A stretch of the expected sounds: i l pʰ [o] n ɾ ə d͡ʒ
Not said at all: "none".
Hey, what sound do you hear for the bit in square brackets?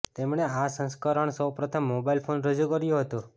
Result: o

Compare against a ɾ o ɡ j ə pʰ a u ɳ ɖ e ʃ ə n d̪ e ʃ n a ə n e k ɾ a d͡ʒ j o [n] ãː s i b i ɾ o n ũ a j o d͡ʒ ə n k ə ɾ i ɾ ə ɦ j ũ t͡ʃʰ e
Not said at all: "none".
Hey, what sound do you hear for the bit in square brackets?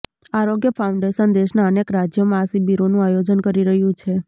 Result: m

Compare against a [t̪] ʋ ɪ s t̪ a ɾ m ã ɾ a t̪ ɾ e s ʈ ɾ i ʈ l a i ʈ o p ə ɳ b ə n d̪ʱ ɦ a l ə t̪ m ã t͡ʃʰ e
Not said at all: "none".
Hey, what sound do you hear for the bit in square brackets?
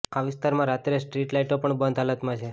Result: none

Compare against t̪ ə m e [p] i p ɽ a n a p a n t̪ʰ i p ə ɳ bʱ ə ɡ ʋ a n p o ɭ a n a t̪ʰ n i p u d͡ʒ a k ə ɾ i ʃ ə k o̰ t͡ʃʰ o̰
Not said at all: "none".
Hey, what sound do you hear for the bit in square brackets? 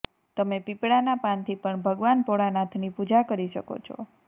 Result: p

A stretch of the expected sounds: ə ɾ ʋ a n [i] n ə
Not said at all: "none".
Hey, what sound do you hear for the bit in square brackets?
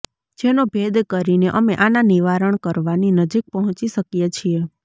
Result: i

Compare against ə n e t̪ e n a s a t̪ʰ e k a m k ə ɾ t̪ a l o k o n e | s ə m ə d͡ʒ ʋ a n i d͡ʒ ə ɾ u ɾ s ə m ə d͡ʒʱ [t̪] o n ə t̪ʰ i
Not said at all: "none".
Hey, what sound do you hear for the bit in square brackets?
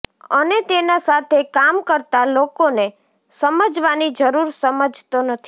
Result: t̪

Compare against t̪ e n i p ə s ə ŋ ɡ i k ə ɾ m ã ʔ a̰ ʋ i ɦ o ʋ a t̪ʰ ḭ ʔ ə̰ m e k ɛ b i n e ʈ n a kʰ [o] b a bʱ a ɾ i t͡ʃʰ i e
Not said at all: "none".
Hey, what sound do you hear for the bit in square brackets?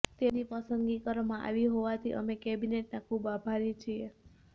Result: u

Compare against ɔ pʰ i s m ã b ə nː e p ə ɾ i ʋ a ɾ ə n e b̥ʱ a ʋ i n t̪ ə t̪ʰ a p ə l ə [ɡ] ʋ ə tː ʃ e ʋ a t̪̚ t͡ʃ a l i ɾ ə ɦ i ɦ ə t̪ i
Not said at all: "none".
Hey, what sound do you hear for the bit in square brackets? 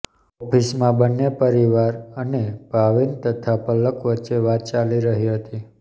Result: k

